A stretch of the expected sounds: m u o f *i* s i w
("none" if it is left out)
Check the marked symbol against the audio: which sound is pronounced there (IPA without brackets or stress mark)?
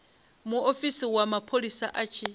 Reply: i